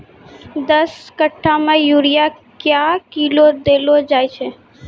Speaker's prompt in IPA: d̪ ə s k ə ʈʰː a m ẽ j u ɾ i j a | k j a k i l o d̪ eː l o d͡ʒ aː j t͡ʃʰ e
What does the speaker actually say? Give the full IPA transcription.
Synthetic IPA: d̪ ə s k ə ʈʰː a m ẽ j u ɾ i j a | k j a k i l o d̪ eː l o d͡ʒ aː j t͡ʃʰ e